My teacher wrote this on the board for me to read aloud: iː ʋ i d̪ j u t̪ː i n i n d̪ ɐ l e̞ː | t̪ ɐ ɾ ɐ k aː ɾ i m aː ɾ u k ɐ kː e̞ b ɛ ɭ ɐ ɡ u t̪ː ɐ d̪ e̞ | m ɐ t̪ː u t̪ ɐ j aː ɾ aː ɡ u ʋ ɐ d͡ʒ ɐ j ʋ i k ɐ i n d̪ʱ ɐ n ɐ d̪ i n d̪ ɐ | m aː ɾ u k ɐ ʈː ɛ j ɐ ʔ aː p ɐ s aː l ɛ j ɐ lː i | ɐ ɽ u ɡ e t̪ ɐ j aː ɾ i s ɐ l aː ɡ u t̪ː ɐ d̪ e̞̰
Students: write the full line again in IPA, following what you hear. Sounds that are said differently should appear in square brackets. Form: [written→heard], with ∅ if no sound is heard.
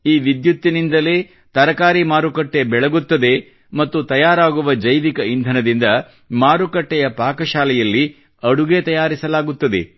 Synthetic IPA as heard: iː ʋ i d̪ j u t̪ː i n i n d̪ ɐ l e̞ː | t̪ ɐ ɾ ɐ k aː ɾ i m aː ɾ u k ɐ [kː→ʈː] e̞ b ɛ ɭ ɐ ɡ u t̪ː ɐ d̪ e̞ | m ɐ t̪ː u t̪ ɐ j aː ɾ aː ɡ u ʋ ɐ d͡ʒ ɐ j ʋ i k ɐ i n d̪ʱ ɐ n ɐ d̪ i n d̪ ɐ | m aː ɾ u k ɐ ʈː ɛ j ɐ [ʔ→p] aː [p→k] ɐ [s→ʃ] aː l ɛ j ɐ lː i | ɐ ɽ u ɡ e t̪ ɐ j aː ɾ i s ɐ l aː ɡ u t̪ː ɐ d̪ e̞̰

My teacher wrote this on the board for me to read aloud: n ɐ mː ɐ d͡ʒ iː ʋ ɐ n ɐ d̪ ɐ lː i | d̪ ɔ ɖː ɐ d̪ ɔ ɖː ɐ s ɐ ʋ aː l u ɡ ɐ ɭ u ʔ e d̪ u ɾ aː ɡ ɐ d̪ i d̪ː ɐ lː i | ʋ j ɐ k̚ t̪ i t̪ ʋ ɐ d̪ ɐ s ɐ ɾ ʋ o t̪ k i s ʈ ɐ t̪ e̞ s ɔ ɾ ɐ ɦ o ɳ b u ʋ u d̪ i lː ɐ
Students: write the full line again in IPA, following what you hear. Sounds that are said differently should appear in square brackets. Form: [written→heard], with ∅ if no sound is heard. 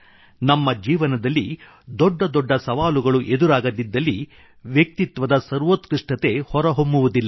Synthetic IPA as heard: n ɐ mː ɐ d͡ʒ iː ʋ ɐ n ɐ d̪ ɐ lː i | d̪ ɔ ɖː ɐ d̪ ɔ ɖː ɐ s ɐ ʋ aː l u ɡ ɐ ɭ u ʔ e d̪ u ɾ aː ɡ ɐ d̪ i d̪ː ɐ lː i | ʋ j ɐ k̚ t̪ i t̪ ʋ ɐ d̪ ɐ s ɐ ɾ ʋ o t̪ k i [s→ʂ] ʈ ɐ t̪ e̞ [s→h] ɔ ɾ ɐ ɦ o [ɳ→m] b u ʋ u d̪ i lː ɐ

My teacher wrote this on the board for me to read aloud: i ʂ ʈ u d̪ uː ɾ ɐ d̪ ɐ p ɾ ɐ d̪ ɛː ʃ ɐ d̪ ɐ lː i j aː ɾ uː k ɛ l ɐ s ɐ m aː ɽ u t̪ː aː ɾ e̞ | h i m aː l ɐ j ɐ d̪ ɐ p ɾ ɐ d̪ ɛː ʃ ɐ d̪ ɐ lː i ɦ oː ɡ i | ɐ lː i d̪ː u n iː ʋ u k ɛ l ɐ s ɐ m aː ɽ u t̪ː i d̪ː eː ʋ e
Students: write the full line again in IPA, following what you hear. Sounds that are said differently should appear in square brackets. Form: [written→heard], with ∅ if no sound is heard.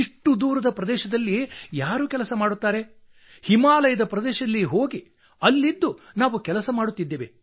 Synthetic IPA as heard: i ʂ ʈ u d̪ uː ɾ ɐ d̪ ɐ p ɾ ɐ d̪ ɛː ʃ ɐ d̪ ɐ lː i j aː ɾ uː k ɛ l ɐ s ɐ m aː ɽ u t̪ː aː ɾ e̞ | h i m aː l ɐ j ɐ d̪ ɐ p ɾ ɐ d̪ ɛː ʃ ɐ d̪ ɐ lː i ɦ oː ɡ i | ɐ lː i d̪ː u n [iː→aː] ʋ u k ɛ l ɐ s ɐ m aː ɽ u t̪ː i d̪ː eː ʋ e

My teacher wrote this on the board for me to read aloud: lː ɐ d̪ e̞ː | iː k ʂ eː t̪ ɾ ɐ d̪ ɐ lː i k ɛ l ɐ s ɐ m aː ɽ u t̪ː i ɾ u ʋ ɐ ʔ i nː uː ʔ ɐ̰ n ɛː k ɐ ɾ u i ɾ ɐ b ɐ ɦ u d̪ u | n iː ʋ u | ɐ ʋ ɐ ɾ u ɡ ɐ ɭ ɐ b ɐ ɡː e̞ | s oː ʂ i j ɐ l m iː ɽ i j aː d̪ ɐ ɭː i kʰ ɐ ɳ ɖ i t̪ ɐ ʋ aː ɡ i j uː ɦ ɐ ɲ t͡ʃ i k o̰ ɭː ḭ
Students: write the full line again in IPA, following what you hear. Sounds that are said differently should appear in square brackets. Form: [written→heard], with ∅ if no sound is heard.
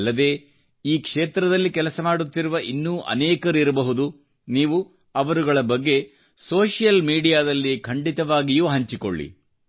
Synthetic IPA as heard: lː ɐ d̪ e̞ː | iː k ʂ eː t̪ ɾ ɐ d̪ ɐ lː i k ɛ l ɐ s ɐ m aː ɽ u t̪ː i ɾ u ʋ ɐ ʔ i nː uː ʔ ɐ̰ n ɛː k ɐ ɾ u i ɾ ɐ b ɐ ɦ u d̪ u | n iː ʋ u | ɐ ʋ ɐ ɾ u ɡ ɐ ɭ ɐ b ɐ ɡː e̞ | s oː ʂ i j ɐ l m iː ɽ i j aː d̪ ɐ [ɭː→lː] i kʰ ɐ ɳ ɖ i t̪ ɐ ʋ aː ɡ i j uː ɦ ɐ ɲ t͡ʃ i k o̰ ɭː ḭ

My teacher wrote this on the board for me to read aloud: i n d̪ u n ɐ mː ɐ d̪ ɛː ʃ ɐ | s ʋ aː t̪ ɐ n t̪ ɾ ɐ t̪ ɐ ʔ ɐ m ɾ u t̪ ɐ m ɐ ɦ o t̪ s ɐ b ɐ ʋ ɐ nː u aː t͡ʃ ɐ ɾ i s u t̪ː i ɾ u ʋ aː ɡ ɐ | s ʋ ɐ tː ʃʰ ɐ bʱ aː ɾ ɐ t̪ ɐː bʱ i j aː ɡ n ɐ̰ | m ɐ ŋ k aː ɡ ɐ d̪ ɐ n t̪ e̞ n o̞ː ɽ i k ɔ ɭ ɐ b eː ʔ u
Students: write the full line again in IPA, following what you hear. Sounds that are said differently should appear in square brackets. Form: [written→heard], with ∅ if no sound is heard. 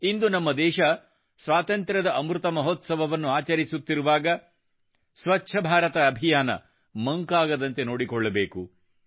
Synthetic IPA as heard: i n d̪ u n ɐ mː ɐ d̪ ɛː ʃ ɐ | s ʋ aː t̪ ɐ n t̪ ɾ ɐ [t̪→d̪] ɐ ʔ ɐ m ɾ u t̪ ɐ m ɐ ɦ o t̪ s ɐ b ɐ ʋ ɐ nː u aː t͡ʃ ɐ ɾ i s u t̪ː i ɾ u ʋ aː ɡ ɐ | s ʋ ɐ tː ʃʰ ɐ bʱ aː ɾ ɐ t̪ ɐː bʱ i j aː [ɡ→∅] n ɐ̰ | m ɐ ŋ k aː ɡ ɐ d̪ ɐ n t̪ e̞ n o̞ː ɽ i k ɔ [ɭ→ɭː] ɐ b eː [ʔ→k] u

